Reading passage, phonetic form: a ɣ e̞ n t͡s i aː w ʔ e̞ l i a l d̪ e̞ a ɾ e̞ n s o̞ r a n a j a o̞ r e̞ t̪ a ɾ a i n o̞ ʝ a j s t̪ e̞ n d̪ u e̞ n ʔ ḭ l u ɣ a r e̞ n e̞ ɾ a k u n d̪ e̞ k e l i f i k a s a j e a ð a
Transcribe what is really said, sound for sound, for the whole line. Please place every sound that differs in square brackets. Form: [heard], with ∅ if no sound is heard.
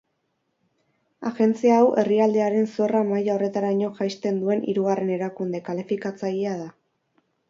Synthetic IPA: a ɣ e̞ n t͡s i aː w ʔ e̞ [r] i a l d̪ e̞ a ɾ e̞ n s o̞ r a [m] a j a o̞ r e̞ t̪ a ɾ a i [ɲ] o̞ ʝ a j s t̪ e̞ n d̪ u e̞ n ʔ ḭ [ɾ] u ɣ a r e̞ n e̞ ɾ a k u n d̪ e̞ k [a] l i f i k a [t͡s] a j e a ð a